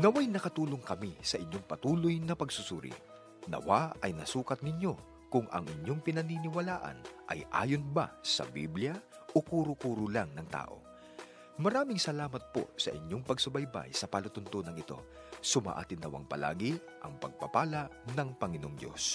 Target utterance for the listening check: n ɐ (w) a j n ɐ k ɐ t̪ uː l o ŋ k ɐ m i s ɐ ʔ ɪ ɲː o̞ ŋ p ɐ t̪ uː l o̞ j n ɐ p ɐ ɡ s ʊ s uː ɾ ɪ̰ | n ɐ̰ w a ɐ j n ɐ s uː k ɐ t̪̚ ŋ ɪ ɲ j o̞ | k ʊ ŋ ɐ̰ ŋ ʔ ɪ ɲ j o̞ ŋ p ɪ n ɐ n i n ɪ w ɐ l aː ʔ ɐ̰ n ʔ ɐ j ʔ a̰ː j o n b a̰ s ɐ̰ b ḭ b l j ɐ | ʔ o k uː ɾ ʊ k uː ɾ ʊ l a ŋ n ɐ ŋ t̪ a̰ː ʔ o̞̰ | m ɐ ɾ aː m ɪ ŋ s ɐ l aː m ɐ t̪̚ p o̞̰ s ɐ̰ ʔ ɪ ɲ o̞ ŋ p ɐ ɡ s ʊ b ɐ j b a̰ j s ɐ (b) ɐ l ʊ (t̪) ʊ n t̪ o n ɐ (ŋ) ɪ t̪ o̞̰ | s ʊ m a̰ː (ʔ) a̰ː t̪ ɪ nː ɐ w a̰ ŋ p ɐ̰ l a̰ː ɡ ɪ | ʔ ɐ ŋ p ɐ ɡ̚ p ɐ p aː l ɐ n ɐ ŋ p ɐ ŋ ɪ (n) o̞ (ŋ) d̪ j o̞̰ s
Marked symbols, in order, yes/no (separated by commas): yes, no, yes, yes, yes, yes, yes